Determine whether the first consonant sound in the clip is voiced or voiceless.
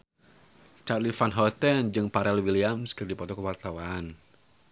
voiceless